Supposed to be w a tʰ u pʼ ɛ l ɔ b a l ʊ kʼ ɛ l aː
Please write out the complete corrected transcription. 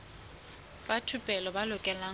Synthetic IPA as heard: b a tʰ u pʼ ɛ l ɔ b a l ʊ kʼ ɛ l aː